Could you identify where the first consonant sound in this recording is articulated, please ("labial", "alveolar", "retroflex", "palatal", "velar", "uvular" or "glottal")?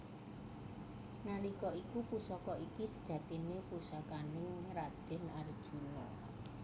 alveolar